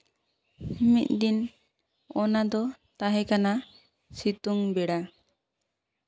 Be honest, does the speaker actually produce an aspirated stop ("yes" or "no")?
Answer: no